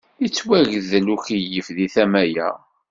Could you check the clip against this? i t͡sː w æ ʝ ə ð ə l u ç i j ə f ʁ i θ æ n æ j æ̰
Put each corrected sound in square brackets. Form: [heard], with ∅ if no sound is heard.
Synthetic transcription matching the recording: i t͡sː w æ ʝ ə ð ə l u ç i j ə f [ð] i θ æ [m] æ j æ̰